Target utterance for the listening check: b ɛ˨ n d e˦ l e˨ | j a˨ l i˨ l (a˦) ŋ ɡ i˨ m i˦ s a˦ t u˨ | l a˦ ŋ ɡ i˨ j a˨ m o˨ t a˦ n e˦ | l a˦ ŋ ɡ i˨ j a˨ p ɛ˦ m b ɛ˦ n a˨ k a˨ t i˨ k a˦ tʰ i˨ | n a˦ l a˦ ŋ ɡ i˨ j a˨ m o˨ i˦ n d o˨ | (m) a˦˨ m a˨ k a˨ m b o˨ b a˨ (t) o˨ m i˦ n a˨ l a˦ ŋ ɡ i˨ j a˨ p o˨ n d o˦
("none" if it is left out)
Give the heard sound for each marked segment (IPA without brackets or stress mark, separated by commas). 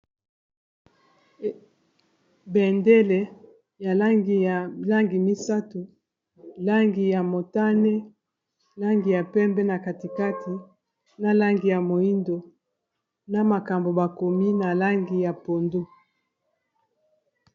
a˦, n, k